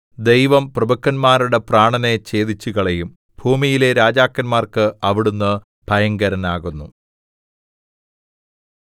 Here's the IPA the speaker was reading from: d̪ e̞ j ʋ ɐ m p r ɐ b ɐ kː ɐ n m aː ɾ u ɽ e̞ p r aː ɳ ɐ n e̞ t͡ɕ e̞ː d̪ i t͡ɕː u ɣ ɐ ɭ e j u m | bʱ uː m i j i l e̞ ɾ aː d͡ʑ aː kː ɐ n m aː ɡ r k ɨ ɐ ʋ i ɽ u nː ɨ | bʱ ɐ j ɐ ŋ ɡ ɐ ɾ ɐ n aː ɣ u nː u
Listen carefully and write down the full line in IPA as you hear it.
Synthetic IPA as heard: d̪ e̞ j ʋ ɐ m p r ɐ b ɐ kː ɐ n m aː ɾ u ɽ e̞ p r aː ɳ ɐ n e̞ t͡ɕ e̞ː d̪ i t͡ɕː u ɣ ɐ ɭ e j u m | bʱ uː m i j i l e̞ ɾ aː d͡ʑ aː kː ɐ n m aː r k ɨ ɐ ʋ i ɽ u nː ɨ | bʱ ɐ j ɐ ŋ ɡ ɐ ɾ ɐ n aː ɣ u nː u